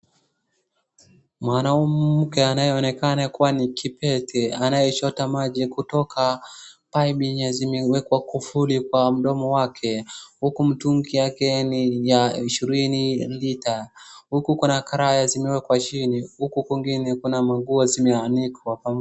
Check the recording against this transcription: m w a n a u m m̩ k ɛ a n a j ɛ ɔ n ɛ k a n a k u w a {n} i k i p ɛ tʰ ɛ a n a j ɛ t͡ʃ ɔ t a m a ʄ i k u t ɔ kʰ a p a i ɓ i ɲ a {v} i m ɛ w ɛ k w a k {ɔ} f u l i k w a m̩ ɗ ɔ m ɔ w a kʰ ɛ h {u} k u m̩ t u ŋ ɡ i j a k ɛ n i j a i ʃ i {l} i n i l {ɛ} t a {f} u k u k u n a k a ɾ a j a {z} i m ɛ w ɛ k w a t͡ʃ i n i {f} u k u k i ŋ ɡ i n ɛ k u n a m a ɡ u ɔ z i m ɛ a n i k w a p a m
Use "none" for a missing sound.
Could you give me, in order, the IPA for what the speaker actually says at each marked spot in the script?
n, z, u, u, ɾ, i, h, z, h

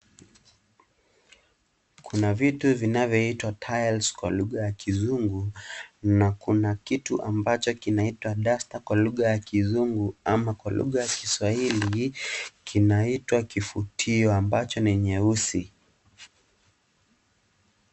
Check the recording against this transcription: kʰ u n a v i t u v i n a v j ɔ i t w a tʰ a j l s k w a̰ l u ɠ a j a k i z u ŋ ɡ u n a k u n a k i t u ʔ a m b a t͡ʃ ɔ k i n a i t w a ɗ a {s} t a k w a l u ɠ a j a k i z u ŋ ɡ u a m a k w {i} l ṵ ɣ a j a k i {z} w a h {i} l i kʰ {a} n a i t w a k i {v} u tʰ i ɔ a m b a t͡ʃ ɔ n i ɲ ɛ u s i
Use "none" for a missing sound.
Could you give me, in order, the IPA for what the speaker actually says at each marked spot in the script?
s, a, s, i, i, f

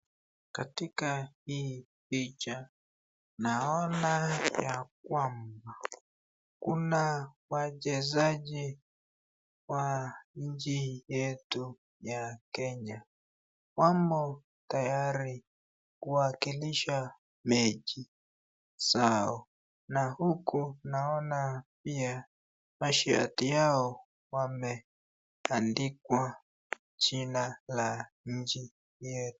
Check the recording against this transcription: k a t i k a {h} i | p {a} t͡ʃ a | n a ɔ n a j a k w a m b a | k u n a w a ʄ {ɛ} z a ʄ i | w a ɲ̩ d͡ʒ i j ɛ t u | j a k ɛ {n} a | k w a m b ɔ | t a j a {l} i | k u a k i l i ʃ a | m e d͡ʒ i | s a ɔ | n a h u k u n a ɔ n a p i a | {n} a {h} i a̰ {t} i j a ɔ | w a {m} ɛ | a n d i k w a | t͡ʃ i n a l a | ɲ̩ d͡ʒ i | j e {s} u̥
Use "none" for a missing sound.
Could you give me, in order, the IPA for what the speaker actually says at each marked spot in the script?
h, i, ɛ, ɲ, ɾ, m, ʃ, t, m, t

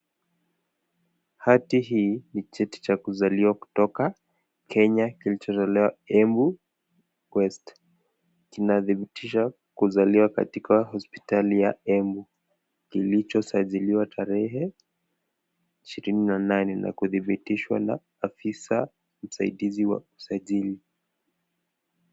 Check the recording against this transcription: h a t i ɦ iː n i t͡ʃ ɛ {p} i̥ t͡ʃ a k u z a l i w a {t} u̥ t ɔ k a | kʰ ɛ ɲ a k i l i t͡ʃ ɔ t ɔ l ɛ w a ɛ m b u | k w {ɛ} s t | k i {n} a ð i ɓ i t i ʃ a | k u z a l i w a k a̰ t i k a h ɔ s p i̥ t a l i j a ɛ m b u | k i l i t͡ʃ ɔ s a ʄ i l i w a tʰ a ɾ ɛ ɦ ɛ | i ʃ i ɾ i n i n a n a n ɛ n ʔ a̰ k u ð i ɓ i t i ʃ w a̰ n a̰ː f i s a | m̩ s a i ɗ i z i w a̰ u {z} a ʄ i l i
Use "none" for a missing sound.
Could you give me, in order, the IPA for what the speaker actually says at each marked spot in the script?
t, k, ɛ, n, s

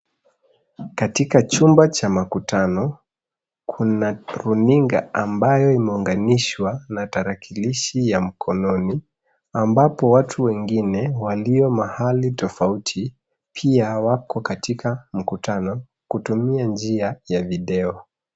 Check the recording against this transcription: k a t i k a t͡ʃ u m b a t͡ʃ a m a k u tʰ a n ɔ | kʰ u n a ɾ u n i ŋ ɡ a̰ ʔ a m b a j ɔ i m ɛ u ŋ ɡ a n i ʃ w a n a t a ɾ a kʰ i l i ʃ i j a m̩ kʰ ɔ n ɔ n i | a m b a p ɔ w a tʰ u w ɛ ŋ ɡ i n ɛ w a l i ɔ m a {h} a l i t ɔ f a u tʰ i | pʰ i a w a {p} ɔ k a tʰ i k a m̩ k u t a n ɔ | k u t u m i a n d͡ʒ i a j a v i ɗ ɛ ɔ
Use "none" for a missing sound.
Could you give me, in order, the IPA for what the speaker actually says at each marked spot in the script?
h, k

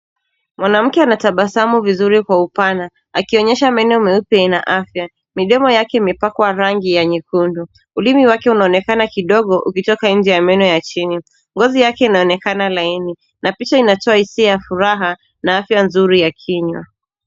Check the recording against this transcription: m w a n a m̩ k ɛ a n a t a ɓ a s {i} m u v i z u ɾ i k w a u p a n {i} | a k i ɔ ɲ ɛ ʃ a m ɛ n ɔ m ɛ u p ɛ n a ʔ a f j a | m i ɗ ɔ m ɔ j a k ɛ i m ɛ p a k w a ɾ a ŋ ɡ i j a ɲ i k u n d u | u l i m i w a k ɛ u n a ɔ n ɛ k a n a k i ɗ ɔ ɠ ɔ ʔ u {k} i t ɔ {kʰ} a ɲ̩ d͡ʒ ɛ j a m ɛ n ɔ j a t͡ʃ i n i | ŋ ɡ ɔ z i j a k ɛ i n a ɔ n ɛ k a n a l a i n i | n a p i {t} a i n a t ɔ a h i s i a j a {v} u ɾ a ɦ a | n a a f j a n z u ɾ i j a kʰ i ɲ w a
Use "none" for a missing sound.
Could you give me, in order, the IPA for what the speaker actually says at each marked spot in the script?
a, a, k, k, t͡ʃ, f

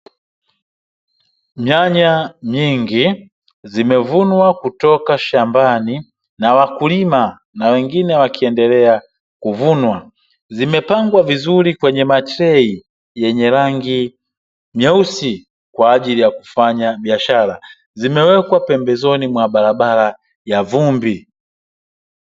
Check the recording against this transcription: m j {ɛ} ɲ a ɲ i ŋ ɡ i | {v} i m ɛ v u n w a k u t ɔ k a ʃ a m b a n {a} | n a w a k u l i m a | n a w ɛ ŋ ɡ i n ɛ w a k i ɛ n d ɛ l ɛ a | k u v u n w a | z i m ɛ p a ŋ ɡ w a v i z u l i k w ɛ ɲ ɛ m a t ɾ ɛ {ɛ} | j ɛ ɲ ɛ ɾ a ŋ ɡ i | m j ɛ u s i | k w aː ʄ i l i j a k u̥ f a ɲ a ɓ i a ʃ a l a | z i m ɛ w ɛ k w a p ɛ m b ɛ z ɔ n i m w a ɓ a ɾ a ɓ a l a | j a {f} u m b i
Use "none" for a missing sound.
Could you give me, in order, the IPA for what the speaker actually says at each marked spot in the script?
a, z, i, i, v

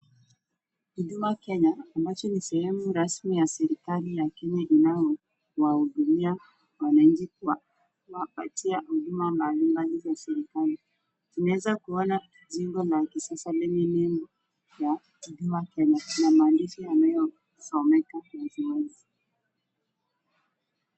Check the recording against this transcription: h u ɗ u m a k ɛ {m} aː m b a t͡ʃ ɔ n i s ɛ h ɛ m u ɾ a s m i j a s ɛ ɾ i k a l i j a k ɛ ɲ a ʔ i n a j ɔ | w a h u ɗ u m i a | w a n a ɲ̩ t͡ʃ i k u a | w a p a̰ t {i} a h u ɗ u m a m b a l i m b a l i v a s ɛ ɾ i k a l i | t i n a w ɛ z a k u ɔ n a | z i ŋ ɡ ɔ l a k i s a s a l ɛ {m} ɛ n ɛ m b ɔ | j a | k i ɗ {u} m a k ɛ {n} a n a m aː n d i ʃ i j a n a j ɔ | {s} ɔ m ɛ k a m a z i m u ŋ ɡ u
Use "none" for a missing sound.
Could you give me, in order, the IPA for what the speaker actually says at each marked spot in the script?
ɲ, i, ɲ, u, ɲ, s

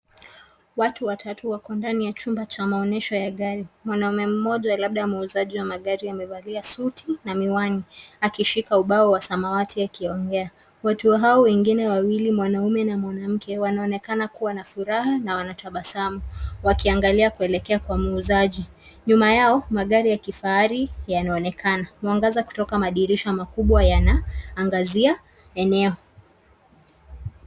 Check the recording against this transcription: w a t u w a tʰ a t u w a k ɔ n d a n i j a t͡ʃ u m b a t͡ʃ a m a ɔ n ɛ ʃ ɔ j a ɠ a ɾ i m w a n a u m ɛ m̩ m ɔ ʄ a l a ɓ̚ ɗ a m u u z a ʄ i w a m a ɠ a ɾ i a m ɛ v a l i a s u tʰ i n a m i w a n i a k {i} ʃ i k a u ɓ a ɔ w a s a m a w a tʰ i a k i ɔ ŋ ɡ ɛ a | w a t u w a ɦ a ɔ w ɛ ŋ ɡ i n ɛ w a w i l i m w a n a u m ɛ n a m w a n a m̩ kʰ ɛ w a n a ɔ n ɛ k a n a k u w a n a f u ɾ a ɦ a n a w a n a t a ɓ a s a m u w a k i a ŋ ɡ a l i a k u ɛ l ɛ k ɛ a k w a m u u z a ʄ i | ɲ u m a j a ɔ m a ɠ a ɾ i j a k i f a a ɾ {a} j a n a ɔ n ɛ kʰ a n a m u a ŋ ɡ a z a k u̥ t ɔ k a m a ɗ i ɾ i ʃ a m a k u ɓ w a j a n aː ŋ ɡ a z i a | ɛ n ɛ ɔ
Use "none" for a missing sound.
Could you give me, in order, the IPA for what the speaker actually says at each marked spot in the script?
i, i

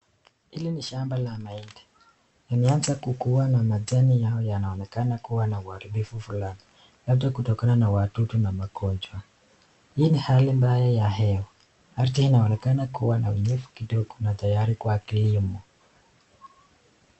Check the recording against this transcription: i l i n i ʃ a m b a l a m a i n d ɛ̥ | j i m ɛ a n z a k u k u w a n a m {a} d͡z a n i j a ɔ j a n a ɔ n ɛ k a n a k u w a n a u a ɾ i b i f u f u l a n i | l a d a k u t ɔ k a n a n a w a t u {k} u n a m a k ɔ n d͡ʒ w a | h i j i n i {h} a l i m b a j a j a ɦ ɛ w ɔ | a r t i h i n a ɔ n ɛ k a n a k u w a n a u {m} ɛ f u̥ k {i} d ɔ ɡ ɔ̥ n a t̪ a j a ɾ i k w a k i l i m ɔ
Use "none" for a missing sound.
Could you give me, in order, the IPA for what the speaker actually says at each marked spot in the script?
a, t, h, ɲ, i

